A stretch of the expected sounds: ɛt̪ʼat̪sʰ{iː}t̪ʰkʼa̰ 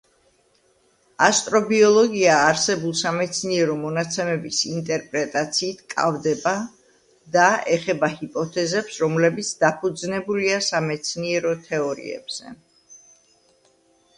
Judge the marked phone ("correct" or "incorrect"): correct